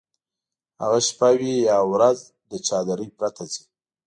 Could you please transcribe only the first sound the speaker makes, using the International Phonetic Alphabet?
h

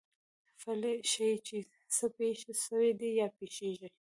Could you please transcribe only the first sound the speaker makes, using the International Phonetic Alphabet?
f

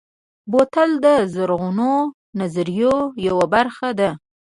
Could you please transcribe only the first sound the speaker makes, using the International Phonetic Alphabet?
b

